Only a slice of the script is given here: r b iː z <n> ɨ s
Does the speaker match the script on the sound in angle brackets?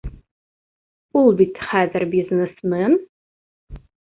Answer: yes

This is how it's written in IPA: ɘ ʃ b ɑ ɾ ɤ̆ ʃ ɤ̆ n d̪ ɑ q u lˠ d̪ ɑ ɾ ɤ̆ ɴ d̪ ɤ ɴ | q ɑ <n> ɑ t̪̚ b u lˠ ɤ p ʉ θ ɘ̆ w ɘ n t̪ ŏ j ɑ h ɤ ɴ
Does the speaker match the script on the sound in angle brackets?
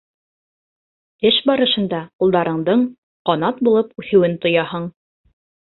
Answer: yes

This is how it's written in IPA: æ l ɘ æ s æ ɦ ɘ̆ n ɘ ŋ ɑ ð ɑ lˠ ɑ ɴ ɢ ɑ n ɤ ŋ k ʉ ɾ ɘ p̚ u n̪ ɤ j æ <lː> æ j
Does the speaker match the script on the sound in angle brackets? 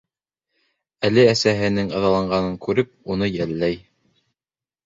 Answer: yes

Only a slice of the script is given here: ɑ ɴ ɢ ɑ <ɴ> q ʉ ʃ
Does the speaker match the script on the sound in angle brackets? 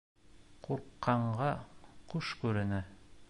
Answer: no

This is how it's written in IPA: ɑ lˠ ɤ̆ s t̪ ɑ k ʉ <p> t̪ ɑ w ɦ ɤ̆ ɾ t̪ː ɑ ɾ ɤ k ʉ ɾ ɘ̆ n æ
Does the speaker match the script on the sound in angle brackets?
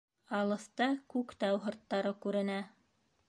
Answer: no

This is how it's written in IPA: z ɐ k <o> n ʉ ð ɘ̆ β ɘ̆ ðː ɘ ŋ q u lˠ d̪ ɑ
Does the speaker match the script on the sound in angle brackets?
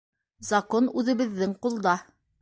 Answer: yes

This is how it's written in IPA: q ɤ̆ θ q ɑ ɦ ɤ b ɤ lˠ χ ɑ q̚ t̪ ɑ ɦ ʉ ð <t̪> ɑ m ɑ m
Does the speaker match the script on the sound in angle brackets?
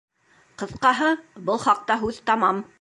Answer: yes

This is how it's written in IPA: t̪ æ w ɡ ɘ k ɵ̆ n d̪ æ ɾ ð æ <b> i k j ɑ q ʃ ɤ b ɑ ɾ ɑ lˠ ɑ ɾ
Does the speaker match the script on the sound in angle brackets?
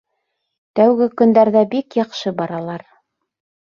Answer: yes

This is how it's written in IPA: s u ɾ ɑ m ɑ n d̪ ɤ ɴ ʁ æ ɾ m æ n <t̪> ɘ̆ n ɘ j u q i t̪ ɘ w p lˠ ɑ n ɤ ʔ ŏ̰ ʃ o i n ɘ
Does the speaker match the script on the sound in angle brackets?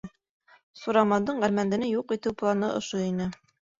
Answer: no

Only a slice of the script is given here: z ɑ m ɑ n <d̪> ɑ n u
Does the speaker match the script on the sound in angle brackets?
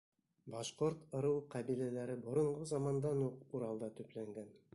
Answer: yes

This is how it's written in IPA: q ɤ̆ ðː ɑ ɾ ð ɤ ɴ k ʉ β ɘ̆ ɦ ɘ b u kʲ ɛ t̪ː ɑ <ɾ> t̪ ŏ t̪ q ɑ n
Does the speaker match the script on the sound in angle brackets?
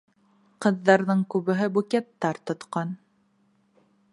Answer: yes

